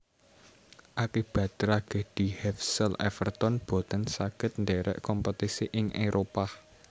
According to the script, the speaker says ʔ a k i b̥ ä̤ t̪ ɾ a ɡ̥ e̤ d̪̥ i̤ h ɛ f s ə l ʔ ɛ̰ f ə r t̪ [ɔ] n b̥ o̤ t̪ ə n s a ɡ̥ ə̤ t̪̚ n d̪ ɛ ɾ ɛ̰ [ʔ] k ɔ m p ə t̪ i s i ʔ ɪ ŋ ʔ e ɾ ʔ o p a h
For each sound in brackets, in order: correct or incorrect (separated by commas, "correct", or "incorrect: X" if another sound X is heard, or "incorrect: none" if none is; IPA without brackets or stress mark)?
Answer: correct, correct